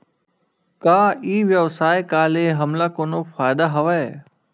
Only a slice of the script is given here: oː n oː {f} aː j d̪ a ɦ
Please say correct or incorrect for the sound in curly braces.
correct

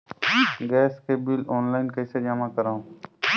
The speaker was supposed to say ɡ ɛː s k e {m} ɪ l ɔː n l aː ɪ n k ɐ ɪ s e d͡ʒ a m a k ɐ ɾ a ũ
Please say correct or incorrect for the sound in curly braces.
incorrect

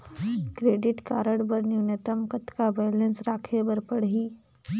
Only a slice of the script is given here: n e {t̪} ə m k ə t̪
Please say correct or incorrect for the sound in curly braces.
correct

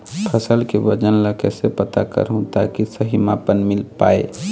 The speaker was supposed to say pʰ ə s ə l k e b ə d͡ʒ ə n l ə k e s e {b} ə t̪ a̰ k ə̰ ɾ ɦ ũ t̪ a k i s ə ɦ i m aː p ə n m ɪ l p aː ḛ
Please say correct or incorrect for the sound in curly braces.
incorrect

